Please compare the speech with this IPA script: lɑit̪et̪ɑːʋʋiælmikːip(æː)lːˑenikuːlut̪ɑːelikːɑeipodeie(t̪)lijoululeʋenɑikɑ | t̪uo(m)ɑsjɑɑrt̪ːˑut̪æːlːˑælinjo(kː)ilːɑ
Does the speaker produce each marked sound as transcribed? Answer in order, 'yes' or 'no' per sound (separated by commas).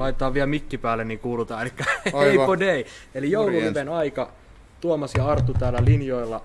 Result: yes, no, yes, no